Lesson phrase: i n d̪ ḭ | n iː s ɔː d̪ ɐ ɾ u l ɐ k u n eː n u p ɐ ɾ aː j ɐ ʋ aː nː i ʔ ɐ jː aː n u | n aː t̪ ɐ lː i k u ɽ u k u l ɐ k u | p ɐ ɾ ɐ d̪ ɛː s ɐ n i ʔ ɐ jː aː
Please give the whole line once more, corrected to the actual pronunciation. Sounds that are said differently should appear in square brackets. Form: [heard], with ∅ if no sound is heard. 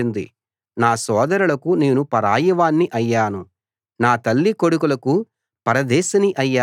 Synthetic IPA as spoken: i n d̪ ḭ | n [aː] s ɔː d̪ ɐ ɾ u l ɐ k u n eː n u p ɐ ɾ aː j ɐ ʋ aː nː i ʔ ɐ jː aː n u | n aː t̪ ɐ lː i k [o] ɽ u k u l ɐ k u | p ɐ ɾ ɐ d̪ ɛː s ɐ n i ʔ ɐ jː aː

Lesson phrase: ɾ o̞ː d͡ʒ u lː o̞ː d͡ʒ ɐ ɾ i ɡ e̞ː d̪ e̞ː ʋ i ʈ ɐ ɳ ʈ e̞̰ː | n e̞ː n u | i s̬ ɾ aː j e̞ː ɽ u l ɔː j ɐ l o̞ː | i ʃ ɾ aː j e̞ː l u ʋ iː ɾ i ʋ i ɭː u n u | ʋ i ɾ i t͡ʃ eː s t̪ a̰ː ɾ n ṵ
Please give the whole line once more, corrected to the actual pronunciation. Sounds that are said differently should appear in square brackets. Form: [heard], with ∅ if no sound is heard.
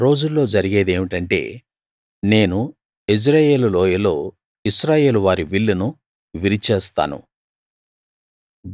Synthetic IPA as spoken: ɾ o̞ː d͡ʒ u lː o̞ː d͡ʒ ɐ ɾ i ɡ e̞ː d̪ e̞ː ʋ i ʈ ɐ ɳ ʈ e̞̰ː | n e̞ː n u | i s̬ ɾ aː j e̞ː [l] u l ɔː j ɐ l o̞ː | i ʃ ɾ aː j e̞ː l u ʋ [aː] ɾ i ʋ i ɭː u n u | ʋ i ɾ i t͡ʃ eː s t̪ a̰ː [∅] n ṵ

